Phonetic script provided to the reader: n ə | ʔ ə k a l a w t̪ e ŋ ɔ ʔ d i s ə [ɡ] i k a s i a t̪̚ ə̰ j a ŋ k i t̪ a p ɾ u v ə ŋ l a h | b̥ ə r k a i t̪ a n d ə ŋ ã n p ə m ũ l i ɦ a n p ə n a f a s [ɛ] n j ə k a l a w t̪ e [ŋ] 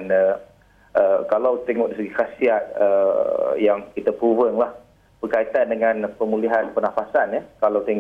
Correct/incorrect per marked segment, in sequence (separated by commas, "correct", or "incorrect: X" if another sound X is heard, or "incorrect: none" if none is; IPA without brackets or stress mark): correct, incorrect: a, correct